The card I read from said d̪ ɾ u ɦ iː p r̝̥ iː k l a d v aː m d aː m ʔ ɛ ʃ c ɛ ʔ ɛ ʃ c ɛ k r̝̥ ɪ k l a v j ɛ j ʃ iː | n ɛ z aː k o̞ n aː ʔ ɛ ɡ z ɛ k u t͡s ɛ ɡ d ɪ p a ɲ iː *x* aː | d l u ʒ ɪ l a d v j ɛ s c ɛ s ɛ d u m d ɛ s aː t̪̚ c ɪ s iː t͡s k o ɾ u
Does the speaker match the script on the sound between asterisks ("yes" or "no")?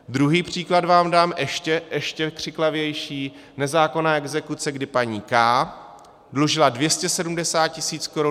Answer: no